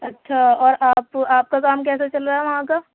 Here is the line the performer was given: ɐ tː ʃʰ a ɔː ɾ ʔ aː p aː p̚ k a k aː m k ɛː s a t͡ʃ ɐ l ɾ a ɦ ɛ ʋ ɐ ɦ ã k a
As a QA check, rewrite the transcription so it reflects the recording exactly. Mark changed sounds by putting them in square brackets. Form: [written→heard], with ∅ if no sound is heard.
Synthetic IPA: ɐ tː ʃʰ a ɔː ɾ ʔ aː p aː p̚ k a k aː m k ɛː s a t͡ʃ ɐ l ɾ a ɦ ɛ ʋ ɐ ɦ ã k a

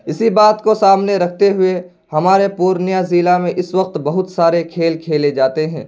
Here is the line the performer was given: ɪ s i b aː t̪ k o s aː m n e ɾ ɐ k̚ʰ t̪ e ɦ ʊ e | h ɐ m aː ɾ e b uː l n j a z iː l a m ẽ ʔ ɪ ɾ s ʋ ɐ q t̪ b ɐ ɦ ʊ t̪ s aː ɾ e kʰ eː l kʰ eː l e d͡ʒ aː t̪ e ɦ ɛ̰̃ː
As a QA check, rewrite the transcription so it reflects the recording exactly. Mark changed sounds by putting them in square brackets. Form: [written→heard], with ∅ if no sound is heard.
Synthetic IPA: ɪ s i b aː t̪ k o s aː m n e ɾ ɐ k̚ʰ t̪ e ɦ ʊ e | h ɐ m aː ɾ e [b→p] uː [l→ɾ] n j a z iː l a m ẽ ʔ ɪ [ɾ→∅] s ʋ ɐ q t̪ b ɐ ɦ ʊ t̪ s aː ɾ e kʰ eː l kʰ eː l e d͡ʒ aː t̪ e ɦ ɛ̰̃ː

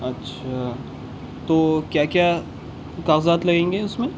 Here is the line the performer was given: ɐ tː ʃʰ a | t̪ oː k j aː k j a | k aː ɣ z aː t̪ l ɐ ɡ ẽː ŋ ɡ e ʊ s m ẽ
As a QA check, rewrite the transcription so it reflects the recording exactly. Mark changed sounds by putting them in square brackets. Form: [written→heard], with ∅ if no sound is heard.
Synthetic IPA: ɐ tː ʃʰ a | t̪ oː k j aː k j a | k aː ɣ z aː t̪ l ɐ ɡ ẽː ŋ ɡ e ʊ s m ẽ

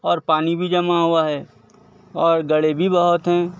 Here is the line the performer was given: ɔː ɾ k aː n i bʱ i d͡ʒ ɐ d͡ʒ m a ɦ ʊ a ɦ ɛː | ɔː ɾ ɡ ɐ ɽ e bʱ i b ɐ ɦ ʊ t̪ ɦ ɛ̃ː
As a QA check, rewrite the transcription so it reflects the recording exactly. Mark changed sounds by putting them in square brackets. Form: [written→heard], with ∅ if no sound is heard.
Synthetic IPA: ɔː ɾ [k→p] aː n i bʱ i d͡ʒ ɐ [d͡ʒ→∅] m a ɦ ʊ a ɦ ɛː | ɔː ɾ ɡ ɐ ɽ e bʱ i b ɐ ɦ ʊ t̪ ɦ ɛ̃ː

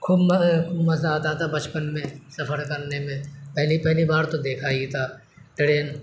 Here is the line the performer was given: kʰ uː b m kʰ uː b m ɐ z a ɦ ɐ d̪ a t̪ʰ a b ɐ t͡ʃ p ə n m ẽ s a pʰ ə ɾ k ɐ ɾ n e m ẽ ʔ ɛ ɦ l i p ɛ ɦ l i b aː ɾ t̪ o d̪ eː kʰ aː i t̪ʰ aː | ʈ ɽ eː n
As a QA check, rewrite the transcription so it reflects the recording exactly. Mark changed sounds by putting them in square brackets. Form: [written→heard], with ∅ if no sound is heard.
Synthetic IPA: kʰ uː b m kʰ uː b m ɐ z a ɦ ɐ [d̪→t̪] a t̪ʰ a b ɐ t͡ʃ p ə n m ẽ s [a→ɐ] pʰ ə ɾ k ɐ ɾ n e m ẽ [ʔ→p] ɛ ɦ l i p ɛ ɦ l i b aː ɾ t̪ o d̪ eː kʰ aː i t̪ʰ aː | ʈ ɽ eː n

